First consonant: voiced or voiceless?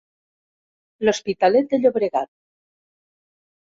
voiced